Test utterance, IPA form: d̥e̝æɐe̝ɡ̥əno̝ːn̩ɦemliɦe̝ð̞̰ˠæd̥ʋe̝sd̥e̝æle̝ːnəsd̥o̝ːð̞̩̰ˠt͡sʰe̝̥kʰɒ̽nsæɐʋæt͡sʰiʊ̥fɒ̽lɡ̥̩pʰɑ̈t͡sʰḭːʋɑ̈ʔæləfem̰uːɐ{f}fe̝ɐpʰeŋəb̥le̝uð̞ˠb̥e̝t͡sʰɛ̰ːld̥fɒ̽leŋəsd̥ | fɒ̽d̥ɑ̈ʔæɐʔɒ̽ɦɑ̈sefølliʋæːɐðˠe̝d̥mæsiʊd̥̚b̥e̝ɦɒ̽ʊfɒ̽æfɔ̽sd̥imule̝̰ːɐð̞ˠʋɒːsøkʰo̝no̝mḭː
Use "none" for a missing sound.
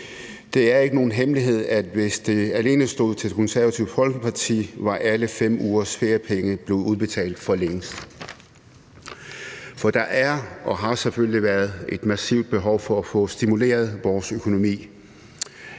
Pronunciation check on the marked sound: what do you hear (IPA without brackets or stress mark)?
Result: s